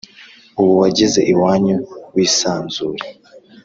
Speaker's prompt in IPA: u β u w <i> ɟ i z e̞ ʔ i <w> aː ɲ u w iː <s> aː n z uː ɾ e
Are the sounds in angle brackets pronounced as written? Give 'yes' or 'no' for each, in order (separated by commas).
no, yes, yes